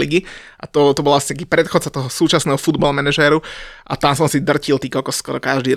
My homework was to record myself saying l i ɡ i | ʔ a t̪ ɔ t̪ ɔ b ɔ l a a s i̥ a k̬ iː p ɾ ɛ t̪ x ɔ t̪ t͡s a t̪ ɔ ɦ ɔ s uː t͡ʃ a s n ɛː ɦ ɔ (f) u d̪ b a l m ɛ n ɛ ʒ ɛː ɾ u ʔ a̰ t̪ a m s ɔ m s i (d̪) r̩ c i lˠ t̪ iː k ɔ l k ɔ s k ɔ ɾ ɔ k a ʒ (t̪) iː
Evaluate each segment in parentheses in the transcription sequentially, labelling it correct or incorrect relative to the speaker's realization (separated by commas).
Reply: correct, correct, incorrect